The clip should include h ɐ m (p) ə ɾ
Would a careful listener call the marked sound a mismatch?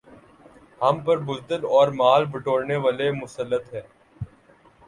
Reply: no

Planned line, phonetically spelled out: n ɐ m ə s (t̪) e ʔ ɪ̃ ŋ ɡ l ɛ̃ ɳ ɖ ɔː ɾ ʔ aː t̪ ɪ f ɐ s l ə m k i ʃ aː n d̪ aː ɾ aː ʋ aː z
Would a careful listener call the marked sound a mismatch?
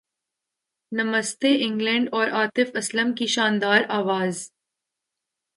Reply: no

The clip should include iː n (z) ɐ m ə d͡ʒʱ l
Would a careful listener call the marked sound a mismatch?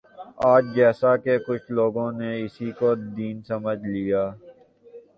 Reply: yes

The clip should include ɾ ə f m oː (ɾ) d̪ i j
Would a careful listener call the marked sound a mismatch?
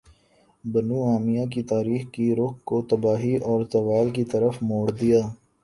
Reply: yes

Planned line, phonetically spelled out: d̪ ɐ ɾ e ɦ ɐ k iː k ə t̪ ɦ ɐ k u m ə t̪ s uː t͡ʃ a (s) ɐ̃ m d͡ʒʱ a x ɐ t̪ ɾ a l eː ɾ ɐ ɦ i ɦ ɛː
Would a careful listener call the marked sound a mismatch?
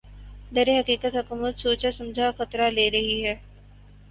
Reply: no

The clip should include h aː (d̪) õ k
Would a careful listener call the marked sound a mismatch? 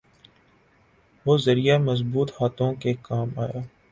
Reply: yes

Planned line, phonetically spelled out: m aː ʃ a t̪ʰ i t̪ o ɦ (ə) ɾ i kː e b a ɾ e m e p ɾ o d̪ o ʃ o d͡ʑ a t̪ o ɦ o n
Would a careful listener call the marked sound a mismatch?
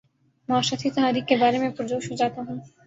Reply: yes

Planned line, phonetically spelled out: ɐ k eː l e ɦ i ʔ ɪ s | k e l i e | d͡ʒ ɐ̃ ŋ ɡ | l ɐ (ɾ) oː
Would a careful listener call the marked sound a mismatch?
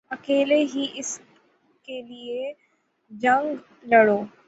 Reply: yes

